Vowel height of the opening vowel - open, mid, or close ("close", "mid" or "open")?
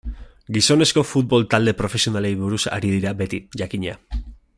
close